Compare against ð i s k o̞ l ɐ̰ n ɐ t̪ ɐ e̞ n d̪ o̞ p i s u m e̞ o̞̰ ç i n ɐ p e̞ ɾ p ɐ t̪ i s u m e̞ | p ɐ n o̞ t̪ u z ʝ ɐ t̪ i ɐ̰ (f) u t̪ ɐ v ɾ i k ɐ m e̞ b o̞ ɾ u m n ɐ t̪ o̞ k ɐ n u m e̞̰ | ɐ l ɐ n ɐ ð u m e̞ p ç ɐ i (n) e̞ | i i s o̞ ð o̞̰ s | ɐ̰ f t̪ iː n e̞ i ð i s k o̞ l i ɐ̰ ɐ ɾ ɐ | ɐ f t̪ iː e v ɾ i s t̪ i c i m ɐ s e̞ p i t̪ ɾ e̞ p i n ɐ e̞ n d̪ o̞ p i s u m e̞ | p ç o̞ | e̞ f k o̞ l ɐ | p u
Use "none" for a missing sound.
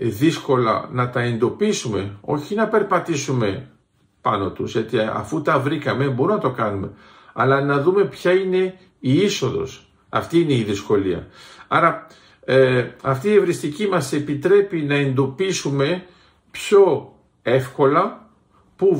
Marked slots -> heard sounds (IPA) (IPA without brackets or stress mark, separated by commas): f, n